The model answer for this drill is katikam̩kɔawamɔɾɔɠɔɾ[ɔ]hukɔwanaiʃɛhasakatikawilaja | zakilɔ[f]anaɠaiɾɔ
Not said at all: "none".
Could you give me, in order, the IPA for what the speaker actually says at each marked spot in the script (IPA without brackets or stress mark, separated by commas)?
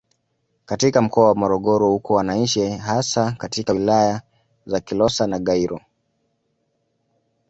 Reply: ɔ, s